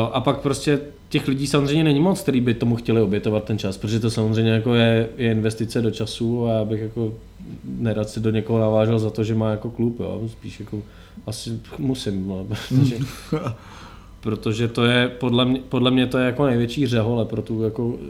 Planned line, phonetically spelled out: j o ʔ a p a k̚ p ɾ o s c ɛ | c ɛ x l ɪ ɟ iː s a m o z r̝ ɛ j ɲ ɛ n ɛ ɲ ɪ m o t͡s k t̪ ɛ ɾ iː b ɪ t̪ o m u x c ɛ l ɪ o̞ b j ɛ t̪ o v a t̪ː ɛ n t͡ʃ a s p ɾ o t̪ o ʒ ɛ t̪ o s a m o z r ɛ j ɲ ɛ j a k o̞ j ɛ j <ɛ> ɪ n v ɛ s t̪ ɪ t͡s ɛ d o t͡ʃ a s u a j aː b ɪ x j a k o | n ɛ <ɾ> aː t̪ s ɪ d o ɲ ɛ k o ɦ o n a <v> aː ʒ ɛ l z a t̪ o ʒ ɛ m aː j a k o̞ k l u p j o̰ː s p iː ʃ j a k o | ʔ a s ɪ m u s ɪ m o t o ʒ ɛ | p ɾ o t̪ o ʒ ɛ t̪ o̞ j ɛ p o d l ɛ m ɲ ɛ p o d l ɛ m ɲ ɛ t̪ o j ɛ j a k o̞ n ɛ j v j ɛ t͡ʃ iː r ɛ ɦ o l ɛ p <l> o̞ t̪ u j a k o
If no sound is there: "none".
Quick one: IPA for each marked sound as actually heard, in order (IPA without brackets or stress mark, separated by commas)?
ɛ, ɾ, v, ɾ